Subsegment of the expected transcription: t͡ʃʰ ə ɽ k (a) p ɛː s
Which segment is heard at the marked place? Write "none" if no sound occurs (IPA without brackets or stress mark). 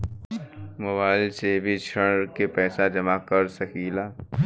e